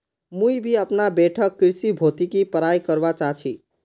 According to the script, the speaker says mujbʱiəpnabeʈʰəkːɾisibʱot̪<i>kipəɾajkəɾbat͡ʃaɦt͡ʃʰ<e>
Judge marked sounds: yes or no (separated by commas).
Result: yes, no